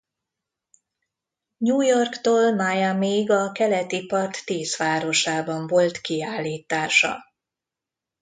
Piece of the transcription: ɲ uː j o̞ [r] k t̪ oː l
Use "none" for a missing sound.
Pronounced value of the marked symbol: r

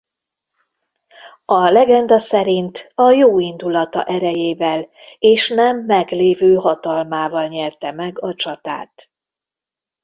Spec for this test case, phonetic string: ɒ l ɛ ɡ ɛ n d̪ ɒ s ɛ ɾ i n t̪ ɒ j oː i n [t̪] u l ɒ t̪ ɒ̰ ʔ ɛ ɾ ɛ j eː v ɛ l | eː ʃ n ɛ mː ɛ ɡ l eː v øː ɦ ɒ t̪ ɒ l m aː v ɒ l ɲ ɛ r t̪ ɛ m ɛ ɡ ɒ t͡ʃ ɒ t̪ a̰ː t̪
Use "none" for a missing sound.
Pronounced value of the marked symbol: d̪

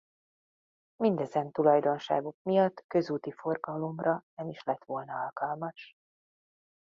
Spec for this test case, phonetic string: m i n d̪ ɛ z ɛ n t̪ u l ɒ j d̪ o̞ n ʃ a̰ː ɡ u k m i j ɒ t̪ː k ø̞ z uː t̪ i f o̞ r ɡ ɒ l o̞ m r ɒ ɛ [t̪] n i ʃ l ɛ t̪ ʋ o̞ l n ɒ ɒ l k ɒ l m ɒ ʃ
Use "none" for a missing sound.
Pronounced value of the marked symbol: none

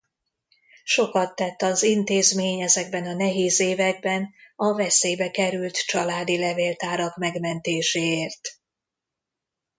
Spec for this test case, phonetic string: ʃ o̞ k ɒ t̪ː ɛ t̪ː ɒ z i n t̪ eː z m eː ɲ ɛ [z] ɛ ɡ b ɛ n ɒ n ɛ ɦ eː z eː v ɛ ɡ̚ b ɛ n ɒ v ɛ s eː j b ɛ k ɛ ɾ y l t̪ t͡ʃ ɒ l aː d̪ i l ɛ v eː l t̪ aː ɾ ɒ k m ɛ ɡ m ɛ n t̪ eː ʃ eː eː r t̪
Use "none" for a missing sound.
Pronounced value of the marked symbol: z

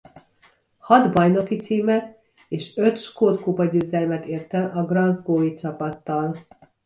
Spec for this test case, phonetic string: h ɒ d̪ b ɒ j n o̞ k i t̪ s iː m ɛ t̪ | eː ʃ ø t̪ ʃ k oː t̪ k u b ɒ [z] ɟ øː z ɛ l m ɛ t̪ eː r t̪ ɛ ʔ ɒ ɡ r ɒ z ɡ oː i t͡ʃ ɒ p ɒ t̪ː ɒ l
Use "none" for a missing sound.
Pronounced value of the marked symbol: none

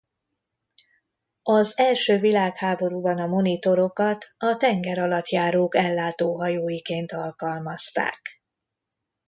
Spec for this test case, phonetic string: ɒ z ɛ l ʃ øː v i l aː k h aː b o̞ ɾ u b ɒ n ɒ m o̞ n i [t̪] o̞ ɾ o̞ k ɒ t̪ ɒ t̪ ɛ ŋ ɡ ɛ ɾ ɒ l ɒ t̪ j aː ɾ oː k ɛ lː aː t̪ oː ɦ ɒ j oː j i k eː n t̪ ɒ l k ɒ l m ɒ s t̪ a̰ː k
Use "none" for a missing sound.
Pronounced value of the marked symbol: t̪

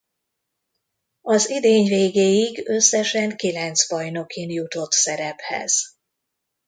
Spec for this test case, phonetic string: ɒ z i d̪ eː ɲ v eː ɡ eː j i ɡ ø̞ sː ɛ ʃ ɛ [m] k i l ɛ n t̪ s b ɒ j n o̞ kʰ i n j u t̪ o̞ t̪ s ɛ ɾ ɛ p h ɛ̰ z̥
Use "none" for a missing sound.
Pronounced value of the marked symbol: ŋ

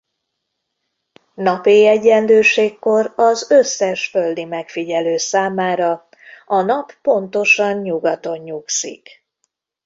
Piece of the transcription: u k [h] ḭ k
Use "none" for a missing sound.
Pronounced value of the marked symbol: s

